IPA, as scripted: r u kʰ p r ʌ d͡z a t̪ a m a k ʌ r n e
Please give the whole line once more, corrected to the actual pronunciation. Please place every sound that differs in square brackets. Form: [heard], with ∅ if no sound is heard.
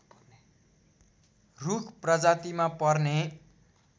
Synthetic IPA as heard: r u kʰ p r ʌ d͡z a t̪ [i] m a [p] ʌ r n e